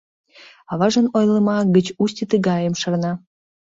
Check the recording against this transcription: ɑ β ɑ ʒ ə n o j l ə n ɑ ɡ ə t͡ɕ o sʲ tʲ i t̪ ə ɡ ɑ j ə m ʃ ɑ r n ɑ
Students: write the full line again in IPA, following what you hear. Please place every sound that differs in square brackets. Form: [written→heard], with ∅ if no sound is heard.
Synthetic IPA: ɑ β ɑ ʒ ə n o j l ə [n→m] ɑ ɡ ə t͡ɕ [o→u] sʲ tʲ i t̪ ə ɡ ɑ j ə m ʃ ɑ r n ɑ